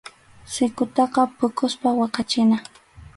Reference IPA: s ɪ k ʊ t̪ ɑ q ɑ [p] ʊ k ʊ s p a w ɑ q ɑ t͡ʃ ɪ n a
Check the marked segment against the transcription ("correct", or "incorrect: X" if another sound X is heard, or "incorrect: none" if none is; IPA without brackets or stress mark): correct